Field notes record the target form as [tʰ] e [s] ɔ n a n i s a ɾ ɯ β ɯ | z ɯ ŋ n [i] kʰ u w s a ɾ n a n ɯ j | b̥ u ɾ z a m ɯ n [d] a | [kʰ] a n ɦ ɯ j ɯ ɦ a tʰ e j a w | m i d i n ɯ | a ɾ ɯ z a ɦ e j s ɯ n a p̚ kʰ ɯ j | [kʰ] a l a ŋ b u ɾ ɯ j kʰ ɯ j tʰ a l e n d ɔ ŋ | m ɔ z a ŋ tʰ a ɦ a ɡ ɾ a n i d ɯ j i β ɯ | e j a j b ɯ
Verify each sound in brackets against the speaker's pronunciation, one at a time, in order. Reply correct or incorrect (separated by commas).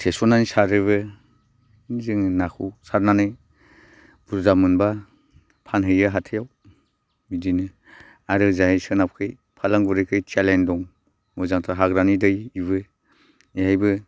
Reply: correct, correct, incorrect, incorrect, incorrect, incorrect